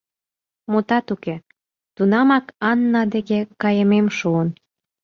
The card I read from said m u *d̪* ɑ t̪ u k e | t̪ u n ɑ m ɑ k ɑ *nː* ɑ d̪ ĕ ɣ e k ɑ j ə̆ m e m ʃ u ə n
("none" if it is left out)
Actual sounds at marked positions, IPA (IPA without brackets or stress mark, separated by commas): t̪, nː